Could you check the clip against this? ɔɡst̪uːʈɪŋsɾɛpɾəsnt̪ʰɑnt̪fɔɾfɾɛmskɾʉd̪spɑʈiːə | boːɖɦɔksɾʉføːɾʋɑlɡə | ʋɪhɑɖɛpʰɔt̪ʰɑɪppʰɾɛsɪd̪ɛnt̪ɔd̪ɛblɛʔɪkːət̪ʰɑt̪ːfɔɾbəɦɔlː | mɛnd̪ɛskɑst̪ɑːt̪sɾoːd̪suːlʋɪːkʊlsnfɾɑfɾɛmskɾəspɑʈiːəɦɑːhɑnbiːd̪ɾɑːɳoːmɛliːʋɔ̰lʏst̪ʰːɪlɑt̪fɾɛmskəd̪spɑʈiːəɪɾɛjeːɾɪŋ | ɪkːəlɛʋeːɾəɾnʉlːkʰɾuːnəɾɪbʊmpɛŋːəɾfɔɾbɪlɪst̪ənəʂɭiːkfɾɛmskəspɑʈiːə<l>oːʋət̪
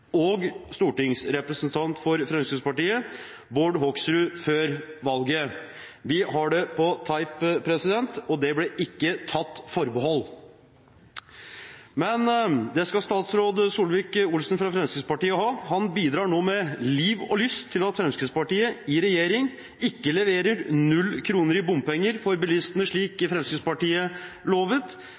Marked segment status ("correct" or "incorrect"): correct